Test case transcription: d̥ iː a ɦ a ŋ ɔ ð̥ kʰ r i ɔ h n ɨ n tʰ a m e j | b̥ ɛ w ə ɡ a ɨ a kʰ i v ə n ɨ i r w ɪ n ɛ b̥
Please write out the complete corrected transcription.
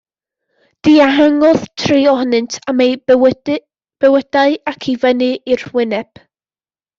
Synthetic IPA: d̥ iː a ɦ a ŋ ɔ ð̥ tʰ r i ɔ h n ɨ n tʰ a m e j | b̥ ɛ w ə d a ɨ a kʰ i v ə n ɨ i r w ɪ n ɛ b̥